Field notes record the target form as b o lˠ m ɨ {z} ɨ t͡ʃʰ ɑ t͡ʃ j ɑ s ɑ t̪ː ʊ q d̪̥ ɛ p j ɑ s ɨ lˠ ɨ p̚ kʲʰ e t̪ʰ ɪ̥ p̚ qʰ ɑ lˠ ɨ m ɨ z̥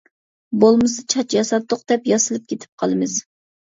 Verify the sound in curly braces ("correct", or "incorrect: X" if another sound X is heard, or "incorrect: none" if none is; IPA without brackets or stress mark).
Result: incorrect: s